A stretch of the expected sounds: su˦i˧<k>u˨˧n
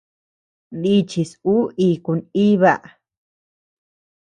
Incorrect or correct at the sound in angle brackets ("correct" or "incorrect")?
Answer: correct